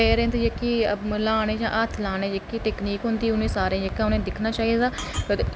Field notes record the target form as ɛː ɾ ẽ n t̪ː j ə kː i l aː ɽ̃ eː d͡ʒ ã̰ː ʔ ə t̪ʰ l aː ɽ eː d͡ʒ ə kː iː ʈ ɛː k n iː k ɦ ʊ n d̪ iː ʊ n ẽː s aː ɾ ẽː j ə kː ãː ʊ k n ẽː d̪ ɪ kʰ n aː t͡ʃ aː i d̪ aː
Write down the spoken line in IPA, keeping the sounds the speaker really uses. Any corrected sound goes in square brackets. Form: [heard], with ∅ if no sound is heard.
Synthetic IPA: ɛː ɾ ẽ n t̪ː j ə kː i l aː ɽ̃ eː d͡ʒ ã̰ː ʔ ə t̪ʰ l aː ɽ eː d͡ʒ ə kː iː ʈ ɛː k n iː k ɦ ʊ n d̪ iː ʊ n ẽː s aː ɾ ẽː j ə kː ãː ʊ [∅] n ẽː d̪ ɪ kʰ n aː t͡ʃ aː i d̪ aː